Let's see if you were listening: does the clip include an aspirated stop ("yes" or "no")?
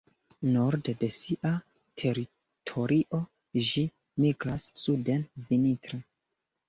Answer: yes